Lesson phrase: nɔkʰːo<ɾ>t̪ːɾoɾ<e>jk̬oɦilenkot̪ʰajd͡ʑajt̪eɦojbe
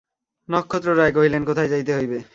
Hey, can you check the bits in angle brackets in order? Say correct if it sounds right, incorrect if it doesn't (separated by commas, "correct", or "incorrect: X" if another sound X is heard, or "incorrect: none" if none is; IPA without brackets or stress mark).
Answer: incorrect: none, incorrect: a